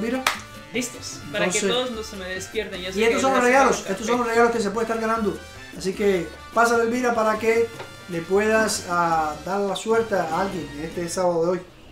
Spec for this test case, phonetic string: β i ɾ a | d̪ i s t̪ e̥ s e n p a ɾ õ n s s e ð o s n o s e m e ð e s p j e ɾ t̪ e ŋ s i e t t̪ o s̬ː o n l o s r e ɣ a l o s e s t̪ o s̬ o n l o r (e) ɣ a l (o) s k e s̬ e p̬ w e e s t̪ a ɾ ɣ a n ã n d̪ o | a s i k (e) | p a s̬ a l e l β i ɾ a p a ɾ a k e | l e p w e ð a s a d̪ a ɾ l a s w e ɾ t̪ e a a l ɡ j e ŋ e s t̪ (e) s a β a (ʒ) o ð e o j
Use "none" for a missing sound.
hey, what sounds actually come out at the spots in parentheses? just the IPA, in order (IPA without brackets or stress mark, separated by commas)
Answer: e, o, e, e, ð